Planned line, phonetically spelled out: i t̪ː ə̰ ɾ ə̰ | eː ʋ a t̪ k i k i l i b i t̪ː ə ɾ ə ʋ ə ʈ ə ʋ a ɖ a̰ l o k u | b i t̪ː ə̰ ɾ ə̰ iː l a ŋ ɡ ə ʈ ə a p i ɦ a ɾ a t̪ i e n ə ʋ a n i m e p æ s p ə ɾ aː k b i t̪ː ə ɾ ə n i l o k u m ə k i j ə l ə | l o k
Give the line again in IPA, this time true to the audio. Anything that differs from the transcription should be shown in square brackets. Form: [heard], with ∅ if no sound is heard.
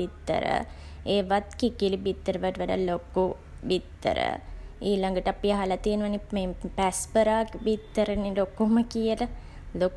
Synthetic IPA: i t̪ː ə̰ ɾ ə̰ | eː ʋ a t̪ k i k i l i b i t̪ː ə ɾ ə ʋ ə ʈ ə ʋ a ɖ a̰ l o k u | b i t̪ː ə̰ ɾ ə̰ iː l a ŋ ɡ ə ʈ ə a p i ɦ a [l] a t̪ i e n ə ʋ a n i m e p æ s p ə ɾ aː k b i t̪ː ə ɾ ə n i l o k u m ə k i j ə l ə | l o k